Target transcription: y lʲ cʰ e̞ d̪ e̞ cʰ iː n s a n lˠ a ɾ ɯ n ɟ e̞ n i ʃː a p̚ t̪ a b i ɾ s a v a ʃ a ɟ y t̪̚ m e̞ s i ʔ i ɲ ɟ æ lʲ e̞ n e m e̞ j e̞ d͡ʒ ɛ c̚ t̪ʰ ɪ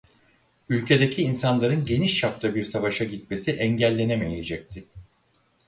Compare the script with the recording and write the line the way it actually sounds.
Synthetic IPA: y lʲ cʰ e̞ d̪ e̞ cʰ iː n s a n lˠ a ɾ ɯ n ɟ e̞ n i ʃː a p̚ t̪ a b i ɾ s a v a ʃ a ɟ i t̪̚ m e̞ s i ʔ ɛ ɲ ɟ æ lʲː e̞ n e m e̞ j e̞ d͡ʒ ɛ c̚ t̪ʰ ɪ

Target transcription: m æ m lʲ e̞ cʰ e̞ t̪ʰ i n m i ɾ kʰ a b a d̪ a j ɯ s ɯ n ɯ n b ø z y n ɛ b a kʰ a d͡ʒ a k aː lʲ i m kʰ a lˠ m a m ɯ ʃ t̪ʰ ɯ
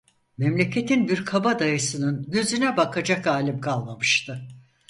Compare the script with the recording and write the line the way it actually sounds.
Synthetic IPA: m ɛ m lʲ e̞ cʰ e̞ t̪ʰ i n b i ɾ kʰ a b a d̪ a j ɯ s ɯ n ɯ n ɟ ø z y n ɛ b a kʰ a d͡ʒ a k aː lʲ i m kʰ a lˠ m a m ɯ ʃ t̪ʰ ɯ

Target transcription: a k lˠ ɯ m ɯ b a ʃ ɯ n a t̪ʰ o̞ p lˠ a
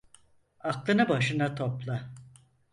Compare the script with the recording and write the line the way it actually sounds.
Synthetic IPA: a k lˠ ɯ n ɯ b a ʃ ɯ n a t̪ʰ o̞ p lˠ a

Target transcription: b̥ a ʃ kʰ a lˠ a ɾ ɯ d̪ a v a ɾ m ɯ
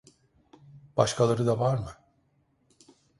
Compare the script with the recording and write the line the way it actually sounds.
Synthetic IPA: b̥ a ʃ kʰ a lˠ a ɾ ɯ d̪ a v a ɾ m ɯ

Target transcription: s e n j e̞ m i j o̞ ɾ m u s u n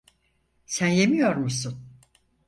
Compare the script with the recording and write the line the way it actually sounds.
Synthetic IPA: s æ n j e̞ m i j o̞ ɾ m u s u n

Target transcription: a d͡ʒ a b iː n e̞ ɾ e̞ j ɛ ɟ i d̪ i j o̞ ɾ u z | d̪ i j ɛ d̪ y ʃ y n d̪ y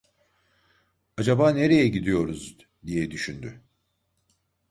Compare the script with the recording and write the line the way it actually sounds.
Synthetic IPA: a d͡ʒ a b aː n e̞ ɾ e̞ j ɛ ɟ i d̪ i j o̞ ɾ u z | d̪ i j ɛ d̪ y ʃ y n d̪ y

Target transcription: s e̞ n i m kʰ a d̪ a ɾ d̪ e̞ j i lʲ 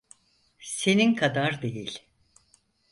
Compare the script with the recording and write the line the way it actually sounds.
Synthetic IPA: s e̞ n i n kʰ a d̪ a ɾ d̪ e̞ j i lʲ

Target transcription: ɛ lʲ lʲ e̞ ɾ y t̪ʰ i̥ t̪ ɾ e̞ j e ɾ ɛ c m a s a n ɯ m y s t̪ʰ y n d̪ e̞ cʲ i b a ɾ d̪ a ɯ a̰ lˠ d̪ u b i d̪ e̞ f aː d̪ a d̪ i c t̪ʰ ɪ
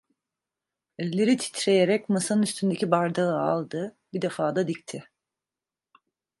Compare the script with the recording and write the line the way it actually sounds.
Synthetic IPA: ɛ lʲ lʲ e̞ ɾ i t̪ʰ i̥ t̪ ɾ e̞ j e ɾ ɛ c m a s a n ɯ n y s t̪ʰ y n d̪ e̞ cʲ i b a ɾ d̪ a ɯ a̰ lˠ d̪ ɯ b i d̪ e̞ f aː d̪ a d̪ i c t̪ʰ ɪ

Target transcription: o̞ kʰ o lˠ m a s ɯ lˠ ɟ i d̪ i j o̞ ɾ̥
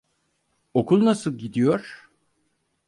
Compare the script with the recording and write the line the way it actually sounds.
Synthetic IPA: o̞ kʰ u lˠ n a s ɯ lˠ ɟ i d̪ i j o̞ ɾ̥

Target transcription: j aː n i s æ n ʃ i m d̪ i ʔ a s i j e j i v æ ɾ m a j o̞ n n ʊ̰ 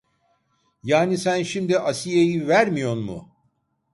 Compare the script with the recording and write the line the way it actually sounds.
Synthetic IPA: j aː n i s æ n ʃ i m d̪ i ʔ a s i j e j i v æ ɾ m i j o̞ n m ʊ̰

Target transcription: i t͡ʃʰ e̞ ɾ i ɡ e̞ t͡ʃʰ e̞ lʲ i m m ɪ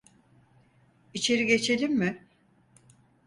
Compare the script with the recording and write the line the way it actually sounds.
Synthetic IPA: i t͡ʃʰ e̞ ɾ i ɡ e̞ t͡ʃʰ e̞ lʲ i m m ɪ

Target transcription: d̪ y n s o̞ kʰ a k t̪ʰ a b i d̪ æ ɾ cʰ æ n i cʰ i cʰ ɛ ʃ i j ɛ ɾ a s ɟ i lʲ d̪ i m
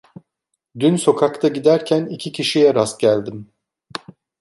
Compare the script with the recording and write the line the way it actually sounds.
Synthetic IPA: d̪ y n s o̞ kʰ a k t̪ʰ a ɟ i d̪ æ ɾ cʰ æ n i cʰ i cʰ i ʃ i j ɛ ɾ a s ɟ æ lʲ d̪ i m

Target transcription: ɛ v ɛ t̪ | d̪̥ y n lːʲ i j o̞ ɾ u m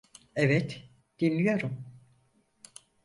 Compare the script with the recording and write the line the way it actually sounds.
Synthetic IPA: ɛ v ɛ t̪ | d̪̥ i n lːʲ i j o̞ ɾ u m

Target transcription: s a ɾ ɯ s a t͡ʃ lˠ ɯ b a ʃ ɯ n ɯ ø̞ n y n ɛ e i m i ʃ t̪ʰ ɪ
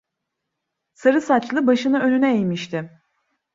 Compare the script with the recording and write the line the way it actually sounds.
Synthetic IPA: s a ɾ ɯ s a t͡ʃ lˠ ɯ b a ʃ ɯ n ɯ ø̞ n y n ɛ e j m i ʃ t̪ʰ ɪ

